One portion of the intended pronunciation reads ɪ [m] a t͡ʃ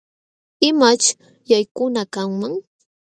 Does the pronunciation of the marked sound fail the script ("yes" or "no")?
no